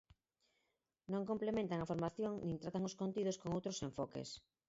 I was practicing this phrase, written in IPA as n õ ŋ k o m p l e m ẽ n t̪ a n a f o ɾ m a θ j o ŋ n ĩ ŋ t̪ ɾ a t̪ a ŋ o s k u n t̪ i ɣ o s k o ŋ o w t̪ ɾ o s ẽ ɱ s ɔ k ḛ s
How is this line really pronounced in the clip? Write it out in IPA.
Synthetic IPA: n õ ŋ k o m p l e m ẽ n t̪ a ŋ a f o ɾ m a θ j o ŋ n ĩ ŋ t̪ ɾ a t̪ a ŋ o s k o n t̪ i ð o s k o ŋ o w t̪ ɾ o s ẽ ɱ f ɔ k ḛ s